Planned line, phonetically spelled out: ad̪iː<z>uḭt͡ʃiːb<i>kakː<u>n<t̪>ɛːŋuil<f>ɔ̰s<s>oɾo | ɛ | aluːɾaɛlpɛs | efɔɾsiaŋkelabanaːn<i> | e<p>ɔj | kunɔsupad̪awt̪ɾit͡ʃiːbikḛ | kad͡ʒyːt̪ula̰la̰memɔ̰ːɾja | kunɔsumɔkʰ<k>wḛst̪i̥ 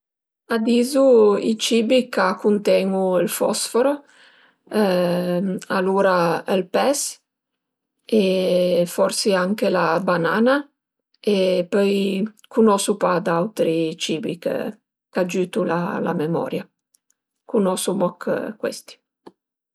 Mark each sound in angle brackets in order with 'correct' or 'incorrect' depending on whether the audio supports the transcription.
correct, correct, correct, correct, correct, incorrect: f, incorrect: a, correct, correct

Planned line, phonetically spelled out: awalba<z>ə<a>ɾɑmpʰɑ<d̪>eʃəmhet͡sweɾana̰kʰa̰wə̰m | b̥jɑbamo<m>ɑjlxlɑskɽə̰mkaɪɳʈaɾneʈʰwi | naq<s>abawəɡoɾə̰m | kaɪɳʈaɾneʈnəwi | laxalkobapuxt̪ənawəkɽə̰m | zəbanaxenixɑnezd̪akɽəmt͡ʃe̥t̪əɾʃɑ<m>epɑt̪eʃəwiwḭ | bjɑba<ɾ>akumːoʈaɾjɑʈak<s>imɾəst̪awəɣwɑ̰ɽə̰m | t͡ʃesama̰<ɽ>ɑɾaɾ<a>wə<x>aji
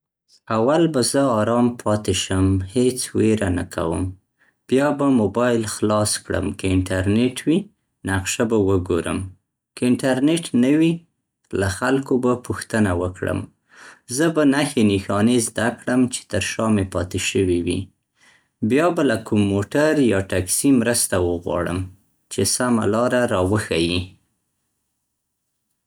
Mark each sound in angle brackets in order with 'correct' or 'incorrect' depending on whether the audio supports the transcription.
correct, incorrect: ɑ, incorrect: t̪, incorrect: b, incorrect: ʃ, correct, incorrect: l, correct, incorrect: l, incorrect: ɑ, correct

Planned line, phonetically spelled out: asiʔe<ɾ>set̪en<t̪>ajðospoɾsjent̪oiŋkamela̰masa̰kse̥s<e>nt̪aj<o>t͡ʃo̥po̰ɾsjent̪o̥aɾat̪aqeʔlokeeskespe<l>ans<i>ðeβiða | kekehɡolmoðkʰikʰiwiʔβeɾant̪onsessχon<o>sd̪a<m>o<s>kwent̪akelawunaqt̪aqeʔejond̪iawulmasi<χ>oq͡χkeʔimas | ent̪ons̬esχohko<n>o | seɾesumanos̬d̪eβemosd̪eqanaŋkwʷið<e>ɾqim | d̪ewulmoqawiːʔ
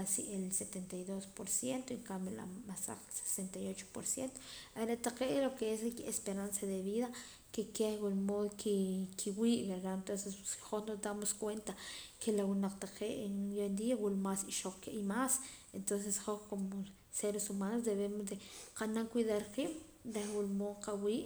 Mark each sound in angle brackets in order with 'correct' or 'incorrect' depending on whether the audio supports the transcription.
incorrect: l, correct, correct, correct, incorrect: ɾ, incorrect: a, correct, correct, correct, incorrect: ʃ, incorrect: m, incorrect: a

